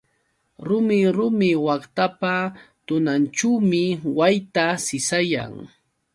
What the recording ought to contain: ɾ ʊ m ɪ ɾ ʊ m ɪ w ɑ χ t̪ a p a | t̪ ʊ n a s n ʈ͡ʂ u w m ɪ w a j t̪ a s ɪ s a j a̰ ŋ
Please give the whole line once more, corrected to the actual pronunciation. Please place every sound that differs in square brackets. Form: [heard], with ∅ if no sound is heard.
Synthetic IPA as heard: ɾ ʊ m ɪ ɾ ʊ m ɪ w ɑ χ t̪ a p a | t̪ ʊ n a [∅] n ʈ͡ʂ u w m ɪ w a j t̪ a s ɪ s a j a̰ ŋ